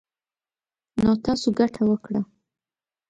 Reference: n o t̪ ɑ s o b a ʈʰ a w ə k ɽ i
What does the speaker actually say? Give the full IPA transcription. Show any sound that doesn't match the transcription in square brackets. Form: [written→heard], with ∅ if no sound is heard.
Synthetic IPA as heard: n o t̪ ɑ s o [b→ɡ] a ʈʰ a w ə k ɽ [i→a]